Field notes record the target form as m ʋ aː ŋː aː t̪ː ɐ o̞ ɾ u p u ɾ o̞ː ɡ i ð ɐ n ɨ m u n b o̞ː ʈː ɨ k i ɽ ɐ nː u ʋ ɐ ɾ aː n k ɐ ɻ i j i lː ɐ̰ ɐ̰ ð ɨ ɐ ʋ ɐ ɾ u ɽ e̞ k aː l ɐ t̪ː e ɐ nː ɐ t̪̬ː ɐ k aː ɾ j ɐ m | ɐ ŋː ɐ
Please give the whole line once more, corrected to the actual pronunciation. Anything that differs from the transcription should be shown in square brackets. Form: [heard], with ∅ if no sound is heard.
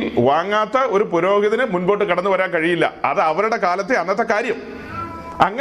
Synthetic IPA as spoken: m ʋ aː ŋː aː t̪ː ɐ o̞ ɾ u p u ɾ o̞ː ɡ i ð ɐ n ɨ m u n b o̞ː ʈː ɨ k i ɽ ɐ nː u ʋ ɐ ɾ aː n k ɐ ɻ i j i lː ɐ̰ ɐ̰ ð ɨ ɐ ʋ ɐ ɾ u ɽ e̞ k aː l ɐ t̪ː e ɐ nː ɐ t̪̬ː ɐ k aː ɾ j ɐ m | ɐ ŋː ɐ